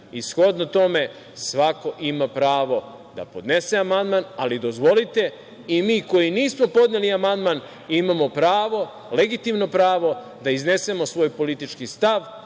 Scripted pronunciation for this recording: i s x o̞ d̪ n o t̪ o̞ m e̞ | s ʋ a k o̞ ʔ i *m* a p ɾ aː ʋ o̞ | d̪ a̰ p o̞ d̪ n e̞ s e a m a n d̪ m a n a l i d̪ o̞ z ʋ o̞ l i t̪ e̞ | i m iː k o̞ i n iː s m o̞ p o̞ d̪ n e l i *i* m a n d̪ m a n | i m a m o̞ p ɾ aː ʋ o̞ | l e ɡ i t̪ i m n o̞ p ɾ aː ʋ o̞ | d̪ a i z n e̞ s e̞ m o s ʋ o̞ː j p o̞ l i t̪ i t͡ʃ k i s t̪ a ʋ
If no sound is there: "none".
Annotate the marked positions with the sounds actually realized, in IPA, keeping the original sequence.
m, a

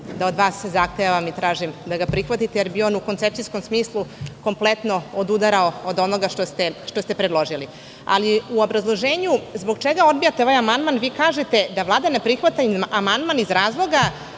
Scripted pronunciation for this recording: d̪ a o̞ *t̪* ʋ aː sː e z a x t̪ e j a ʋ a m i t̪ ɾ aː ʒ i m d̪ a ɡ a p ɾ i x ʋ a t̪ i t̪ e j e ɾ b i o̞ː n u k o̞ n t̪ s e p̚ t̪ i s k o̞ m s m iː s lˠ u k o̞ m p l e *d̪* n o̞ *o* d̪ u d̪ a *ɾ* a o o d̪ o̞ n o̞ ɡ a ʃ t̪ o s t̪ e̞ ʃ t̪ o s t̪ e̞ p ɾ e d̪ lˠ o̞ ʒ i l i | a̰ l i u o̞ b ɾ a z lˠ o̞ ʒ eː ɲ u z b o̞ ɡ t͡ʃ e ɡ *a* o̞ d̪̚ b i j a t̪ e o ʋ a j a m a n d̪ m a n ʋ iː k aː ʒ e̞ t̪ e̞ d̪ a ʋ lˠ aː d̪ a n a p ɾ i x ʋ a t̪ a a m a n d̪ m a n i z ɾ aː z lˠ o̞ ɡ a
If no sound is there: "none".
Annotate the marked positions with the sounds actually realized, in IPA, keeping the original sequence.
d̪, t̪, o, ɾ, a

